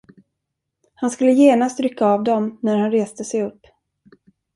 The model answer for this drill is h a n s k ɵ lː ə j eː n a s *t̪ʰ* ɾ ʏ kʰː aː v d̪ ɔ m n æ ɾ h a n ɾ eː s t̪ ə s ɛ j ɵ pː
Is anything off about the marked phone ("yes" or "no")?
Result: yes